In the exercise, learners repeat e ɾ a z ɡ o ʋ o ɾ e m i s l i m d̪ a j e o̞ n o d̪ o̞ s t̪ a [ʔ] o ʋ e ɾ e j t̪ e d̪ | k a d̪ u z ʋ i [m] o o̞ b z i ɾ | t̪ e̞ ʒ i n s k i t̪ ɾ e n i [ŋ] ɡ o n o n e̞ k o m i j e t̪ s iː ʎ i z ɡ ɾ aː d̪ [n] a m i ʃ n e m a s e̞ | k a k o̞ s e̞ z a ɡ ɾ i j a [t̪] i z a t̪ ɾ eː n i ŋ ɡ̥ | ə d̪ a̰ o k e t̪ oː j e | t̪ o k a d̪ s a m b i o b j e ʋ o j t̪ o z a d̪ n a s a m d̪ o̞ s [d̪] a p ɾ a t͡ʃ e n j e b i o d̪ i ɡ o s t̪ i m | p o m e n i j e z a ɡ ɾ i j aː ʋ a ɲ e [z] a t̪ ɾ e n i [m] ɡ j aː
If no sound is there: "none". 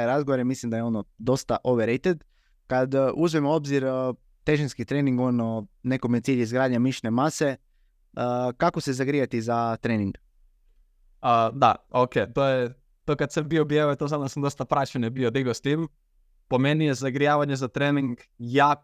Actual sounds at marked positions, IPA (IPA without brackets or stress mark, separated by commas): ʔ, m, ŋ, ɲ, t̪, t̪, z, ŋ